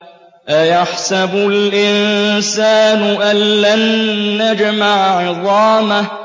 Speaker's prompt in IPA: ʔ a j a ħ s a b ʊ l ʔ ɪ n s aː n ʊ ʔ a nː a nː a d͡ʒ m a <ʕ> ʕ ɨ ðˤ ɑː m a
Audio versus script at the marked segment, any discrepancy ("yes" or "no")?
no